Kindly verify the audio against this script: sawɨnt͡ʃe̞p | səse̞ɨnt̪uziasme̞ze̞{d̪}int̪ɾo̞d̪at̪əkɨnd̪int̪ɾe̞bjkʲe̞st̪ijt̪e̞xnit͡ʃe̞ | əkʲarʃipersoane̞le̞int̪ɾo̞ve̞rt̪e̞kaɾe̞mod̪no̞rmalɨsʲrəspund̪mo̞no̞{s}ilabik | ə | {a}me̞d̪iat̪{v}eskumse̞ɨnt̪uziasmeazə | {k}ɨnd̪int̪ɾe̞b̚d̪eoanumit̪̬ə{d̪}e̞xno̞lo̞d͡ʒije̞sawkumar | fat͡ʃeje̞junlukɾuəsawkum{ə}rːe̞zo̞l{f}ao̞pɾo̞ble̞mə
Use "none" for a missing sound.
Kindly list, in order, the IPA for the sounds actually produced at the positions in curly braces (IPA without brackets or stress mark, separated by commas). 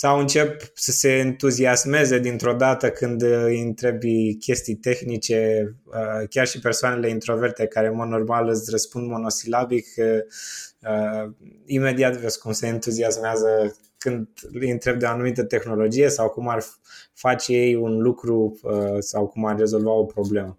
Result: d̪, s, i, v, k, t̪, a, v